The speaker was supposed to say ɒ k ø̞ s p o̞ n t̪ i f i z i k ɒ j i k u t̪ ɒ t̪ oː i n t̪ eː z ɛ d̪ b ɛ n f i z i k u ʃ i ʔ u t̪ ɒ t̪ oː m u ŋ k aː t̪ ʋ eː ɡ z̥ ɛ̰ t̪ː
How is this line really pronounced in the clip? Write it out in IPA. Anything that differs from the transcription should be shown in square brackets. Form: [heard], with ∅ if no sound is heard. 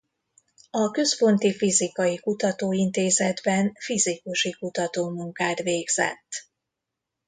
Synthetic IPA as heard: ɒ k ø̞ s p o̞ n t̪ i f i z i k ɒ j i k u t̪ ɒ t̪ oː i n t̪ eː z ɛ d̪ b ɛ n f i z i k u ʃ i [k] u t̪ ɒ t̪ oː m u ŋ k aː t̪ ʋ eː ɡ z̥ ɛ̰ t̪ː